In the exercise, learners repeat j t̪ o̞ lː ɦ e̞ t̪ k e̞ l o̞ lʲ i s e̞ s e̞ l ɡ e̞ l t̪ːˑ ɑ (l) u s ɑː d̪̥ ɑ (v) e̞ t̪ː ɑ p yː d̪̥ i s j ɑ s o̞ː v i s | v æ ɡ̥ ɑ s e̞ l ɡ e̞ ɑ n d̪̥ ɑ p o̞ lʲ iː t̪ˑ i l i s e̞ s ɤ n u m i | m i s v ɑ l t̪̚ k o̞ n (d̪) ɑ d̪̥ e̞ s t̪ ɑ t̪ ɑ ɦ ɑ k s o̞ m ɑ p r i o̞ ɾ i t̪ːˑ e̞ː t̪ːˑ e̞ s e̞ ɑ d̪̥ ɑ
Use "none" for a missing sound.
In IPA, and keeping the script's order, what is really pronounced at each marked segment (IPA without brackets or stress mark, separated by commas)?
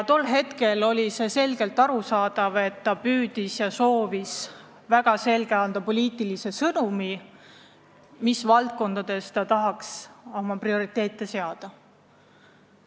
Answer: ɾ, v, d̪